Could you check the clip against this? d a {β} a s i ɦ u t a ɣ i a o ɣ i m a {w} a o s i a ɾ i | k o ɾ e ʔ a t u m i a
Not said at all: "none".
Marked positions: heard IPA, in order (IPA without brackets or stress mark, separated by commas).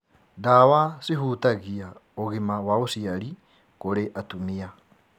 w, w